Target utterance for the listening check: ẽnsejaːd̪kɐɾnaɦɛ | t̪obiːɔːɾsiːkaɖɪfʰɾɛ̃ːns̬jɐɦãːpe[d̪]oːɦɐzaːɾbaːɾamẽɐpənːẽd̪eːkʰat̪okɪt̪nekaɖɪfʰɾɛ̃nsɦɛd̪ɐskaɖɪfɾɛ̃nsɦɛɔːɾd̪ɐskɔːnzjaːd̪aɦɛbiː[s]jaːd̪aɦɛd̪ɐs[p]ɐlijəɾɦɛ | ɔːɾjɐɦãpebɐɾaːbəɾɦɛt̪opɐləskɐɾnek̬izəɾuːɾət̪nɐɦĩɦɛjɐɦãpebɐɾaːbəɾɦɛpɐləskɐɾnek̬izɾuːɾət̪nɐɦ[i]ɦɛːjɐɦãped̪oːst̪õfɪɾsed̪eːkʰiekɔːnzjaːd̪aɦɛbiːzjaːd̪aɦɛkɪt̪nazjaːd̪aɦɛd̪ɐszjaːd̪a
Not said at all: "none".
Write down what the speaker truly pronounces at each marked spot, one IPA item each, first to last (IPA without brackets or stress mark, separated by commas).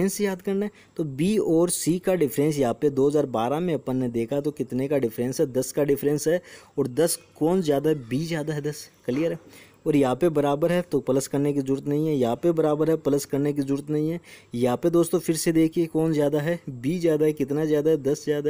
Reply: d̪, z, k, ĩ